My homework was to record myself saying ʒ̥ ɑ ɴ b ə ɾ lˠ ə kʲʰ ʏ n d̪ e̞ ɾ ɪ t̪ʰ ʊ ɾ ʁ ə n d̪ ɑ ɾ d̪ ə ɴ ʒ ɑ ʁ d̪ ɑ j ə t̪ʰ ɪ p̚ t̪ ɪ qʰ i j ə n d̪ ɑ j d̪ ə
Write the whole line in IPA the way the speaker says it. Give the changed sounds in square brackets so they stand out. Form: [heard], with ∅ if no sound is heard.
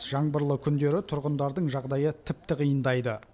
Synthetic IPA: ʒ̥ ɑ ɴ b ə ɾ lˠ ə kʲʰ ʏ n d̪ e̞ ɾ ɪ t̪ʰ ʊ ɾ ʁ ə n d̪ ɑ ɾ d̪ ə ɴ ʒ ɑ ʁ d̪ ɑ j ə t̪ʰ ɪ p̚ t̪ ɪ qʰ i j ə n d̪ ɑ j d̪ ə